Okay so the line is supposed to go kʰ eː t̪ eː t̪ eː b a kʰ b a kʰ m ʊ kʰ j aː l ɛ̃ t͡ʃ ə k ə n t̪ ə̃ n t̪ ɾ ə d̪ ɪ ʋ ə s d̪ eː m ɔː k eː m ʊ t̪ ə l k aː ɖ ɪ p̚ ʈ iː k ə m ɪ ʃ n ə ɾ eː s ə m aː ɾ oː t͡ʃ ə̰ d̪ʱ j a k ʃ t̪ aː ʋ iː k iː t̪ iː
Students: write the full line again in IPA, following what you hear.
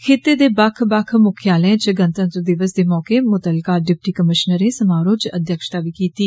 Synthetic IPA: kʰ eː t̪ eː d̪ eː b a kʰ b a kʰ m ʊ kʰ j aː l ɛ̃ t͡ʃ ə ɡ ə n t̪ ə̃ n t̪ ɾ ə d̪ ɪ ʋ ə s d̪ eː m ɔː k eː m ʊ t̪ ə l k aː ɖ ɪ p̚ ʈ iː k ə m ɪ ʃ n ə ɾ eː s ə m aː ɾ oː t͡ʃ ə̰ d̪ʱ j ə k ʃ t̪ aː ʋ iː k iː t̪ iː